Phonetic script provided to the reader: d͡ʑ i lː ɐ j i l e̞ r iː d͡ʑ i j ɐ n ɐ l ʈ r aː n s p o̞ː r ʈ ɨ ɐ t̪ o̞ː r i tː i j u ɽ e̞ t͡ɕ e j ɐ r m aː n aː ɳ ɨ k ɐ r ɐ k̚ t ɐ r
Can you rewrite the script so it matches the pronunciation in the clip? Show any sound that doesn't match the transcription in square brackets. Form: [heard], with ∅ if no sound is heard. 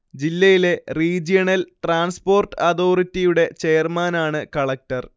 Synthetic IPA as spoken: d͡ʑ i lː ɐ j i l e̞ r iː d͡ʑ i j ɐ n ɐ l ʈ r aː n s p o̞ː r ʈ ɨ ɐ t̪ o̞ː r i tː i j u ɽ e̞ t͡ɕ e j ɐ r m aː n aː ɳ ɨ k ɐ [ɭ] ɐ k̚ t ɐ r